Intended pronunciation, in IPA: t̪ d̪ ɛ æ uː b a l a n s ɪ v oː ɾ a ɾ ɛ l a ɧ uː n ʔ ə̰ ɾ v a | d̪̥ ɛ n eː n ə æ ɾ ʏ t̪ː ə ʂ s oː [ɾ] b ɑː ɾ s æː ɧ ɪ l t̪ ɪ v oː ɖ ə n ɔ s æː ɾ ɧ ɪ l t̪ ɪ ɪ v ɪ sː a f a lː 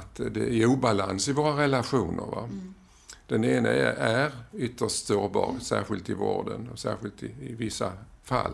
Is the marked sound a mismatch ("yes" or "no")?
no